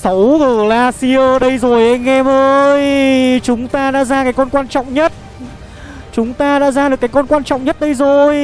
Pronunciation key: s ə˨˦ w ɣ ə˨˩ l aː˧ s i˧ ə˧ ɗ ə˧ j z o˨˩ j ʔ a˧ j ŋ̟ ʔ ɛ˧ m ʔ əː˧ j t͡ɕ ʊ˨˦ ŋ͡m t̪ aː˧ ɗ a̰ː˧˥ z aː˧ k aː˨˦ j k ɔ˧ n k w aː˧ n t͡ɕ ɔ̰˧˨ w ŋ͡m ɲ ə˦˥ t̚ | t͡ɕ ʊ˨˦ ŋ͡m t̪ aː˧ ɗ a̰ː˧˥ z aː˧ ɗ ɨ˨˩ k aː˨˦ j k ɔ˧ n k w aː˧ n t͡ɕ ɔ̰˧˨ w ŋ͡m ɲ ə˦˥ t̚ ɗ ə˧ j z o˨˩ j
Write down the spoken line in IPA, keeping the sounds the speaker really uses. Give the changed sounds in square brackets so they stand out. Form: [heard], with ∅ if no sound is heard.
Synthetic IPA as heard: s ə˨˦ w ɣ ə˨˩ l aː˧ s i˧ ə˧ ɗ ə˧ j z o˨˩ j ʔ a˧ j ŋ̟ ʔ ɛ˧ m ʔ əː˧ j t͡ɕ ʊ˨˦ ŋ͡m t̪ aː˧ ɗ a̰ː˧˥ z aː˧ k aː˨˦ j k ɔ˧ n k w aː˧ n t͡ɕ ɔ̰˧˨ w ŋ͡m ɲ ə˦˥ t̚ | t͡ɕ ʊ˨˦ ŋ͡m t̪ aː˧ ɗ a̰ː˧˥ z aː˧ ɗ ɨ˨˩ k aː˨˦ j k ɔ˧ n k w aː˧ n t͡ɕ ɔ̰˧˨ w ŋ͡m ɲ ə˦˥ t̚ ɗ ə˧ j z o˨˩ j